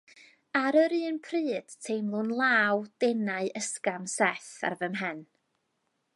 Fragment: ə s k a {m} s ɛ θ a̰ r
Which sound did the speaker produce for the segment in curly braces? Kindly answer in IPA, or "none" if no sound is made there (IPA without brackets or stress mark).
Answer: m